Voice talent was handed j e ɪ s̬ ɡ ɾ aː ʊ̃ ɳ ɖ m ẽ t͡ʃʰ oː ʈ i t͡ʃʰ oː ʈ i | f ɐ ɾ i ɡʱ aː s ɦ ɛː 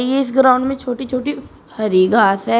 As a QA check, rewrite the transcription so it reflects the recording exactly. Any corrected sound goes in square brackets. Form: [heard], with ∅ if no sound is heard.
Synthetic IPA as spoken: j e ɪ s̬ ɡ ɾ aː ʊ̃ ɳ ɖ m ẽ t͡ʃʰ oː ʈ i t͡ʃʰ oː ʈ i | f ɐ ɾ i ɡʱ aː s ɦ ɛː